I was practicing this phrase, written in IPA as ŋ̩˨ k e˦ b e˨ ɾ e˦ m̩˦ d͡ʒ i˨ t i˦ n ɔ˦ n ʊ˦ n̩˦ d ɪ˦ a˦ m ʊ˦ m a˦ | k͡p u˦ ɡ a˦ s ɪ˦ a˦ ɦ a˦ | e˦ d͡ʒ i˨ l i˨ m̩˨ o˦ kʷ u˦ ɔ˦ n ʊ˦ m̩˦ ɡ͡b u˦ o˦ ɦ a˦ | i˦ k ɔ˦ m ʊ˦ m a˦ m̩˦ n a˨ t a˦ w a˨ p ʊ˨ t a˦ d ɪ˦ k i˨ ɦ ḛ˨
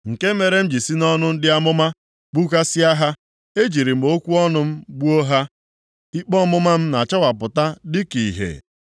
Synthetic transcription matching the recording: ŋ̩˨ k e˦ m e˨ ɾ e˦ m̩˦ d͡ʒ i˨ s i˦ n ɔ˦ n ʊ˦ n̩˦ d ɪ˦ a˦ m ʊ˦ m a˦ | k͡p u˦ k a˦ s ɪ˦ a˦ ɦ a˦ | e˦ d͡ʒ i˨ ɾ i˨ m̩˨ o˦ kʷ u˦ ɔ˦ n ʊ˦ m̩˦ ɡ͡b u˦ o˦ ɦ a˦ | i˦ k͡p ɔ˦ m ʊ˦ m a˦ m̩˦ n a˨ t͡ʃ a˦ w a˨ p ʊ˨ t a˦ d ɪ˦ k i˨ ɦ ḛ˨